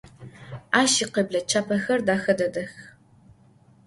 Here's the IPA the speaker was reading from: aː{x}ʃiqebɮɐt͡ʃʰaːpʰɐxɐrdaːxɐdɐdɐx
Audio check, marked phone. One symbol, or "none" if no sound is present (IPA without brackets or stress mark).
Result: none